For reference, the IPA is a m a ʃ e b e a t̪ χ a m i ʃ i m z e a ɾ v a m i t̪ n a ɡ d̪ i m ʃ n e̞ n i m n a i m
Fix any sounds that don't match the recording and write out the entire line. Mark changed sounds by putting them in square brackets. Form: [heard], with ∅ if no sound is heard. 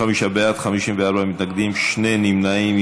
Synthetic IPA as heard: a m [i] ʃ [a] b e a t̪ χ a m i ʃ i m [v] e a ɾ [b] a m i t̪ n a ɡ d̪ i m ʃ n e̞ n i m n a i m